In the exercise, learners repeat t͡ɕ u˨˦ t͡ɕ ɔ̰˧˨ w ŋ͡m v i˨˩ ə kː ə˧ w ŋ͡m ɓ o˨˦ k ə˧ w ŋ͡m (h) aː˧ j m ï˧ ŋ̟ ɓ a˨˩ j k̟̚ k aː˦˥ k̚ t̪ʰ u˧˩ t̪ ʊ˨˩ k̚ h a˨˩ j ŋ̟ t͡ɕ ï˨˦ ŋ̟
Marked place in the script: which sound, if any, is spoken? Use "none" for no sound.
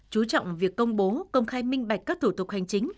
x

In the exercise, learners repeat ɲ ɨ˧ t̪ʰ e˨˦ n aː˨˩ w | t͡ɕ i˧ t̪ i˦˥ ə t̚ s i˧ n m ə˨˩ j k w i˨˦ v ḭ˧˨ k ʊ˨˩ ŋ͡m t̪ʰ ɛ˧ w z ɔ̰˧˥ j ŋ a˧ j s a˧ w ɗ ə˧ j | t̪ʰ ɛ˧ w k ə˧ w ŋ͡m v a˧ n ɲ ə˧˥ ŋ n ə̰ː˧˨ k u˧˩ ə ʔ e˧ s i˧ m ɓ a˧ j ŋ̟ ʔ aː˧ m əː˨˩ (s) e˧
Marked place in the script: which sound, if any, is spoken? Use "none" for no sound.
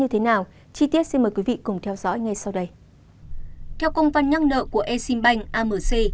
s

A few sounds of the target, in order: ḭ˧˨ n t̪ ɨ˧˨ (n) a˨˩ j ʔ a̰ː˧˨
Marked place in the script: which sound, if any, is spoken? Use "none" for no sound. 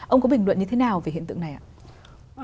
n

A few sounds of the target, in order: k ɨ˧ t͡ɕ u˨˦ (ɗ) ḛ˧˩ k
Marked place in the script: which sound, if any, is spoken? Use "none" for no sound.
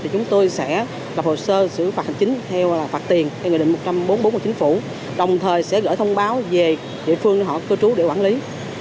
ɗ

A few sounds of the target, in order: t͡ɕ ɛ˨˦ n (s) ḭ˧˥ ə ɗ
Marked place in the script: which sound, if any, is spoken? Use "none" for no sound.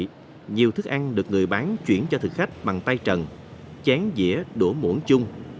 z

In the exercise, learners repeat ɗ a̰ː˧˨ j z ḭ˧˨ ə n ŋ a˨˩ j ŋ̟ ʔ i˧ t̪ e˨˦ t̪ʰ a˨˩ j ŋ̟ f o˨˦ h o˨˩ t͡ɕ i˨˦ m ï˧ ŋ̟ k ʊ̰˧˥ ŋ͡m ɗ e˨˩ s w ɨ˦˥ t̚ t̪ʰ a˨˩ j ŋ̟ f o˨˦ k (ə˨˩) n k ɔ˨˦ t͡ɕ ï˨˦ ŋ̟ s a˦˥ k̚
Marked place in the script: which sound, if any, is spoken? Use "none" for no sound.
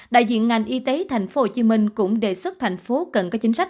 ə˨˩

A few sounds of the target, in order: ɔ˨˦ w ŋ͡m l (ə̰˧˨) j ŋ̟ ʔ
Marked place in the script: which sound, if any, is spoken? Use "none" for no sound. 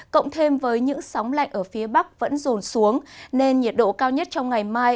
a̰˧˨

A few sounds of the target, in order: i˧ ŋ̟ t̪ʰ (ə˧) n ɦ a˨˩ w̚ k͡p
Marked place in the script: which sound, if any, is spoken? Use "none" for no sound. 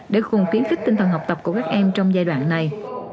ə˨˩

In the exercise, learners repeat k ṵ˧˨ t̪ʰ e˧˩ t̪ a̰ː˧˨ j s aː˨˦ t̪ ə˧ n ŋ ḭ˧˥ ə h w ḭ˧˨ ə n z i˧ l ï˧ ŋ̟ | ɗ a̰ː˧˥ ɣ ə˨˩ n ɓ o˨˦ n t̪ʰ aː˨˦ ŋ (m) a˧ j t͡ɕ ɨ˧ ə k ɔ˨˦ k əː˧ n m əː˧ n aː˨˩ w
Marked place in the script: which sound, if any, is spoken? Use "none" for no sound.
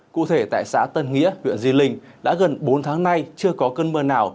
n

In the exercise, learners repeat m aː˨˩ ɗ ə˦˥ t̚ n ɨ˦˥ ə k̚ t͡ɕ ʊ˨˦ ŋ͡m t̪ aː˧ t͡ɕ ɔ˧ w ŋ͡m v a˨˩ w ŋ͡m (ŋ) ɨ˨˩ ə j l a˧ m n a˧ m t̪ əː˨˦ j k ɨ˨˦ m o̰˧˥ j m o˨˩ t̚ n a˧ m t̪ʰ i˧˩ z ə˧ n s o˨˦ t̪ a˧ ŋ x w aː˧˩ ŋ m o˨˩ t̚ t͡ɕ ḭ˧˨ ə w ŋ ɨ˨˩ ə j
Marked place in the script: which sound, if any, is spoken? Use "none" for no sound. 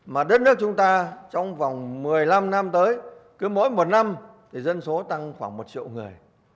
m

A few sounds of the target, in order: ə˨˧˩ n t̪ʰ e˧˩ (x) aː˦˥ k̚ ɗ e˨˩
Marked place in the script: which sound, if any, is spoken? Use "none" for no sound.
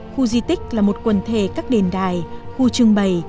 k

